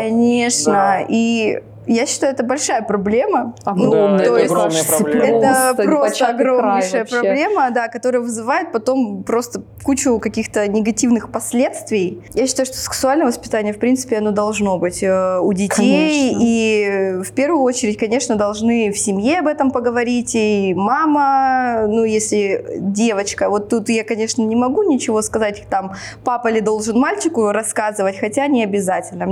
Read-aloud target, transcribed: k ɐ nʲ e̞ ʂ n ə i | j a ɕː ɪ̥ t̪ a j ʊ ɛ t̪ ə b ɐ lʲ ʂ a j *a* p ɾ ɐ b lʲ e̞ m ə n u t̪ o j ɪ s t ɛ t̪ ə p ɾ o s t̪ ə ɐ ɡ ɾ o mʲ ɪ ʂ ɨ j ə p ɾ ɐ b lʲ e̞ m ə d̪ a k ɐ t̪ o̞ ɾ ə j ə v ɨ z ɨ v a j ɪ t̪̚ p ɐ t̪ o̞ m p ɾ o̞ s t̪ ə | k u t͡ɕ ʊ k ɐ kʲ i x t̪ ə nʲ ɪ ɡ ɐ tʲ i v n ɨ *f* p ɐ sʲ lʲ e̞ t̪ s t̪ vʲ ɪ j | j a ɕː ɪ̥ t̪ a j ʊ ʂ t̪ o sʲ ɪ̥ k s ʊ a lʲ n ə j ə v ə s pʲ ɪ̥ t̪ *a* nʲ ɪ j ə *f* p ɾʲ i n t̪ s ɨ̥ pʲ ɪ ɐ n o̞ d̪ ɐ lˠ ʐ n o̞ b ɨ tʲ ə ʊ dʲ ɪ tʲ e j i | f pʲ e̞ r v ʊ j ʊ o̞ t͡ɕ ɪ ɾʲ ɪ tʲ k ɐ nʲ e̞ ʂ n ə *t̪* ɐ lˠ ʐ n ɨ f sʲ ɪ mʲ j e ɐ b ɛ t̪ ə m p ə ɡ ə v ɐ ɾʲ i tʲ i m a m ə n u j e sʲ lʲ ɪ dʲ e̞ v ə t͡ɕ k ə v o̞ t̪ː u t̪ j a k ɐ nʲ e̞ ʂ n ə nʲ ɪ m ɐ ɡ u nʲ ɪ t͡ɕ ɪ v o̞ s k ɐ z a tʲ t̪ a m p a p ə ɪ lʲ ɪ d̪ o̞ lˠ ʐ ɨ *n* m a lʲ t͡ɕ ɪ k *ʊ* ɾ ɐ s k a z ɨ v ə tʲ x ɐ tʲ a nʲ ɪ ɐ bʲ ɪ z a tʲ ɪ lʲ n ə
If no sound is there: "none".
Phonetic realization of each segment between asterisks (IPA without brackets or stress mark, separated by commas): ə, x, a, f, d̪, n, ʊ